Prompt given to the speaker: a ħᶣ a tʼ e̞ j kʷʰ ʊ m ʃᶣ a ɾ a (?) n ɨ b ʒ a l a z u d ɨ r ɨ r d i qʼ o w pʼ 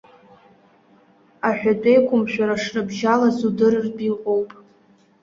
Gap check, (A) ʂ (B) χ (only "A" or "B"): A